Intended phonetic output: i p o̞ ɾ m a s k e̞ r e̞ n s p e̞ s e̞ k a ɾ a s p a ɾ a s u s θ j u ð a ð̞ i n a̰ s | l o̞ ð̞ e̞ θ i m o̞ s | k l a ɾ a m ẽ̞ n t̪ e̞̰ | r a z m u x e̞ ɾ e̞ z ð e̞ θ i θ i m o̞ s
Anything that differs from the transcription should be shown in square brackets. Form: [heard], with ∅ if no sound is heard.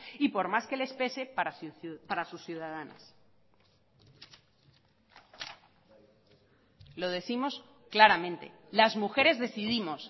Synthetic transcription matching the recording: i p o̞ ɾ m a s k e̞ [l] e̞ [∅] s p e̞ s e̞ [p] a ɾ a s p a ɾ a s u s θ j u ð a ð̞ [a] n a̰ s | l o̞ ð̞ e̞ θ i m o̞ s | k l a ɾ a m ẽ̞ n t̪ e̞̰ | [l] a z m u x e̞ ɾ e̞ z ð e̞ θ i [ð] i m o̞ s